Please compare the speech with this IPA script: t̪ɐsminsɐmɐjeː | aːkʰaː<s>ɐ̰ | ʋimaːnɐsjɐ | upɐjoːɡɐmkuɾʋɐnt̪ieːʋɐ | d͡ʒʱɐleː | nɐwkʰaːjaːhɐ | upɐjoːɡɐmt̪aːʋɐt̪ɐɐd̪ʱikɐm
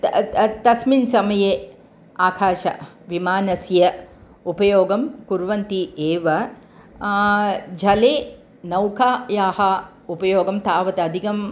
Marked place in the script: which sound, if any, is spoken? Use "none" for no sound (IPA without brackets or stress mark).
ʃ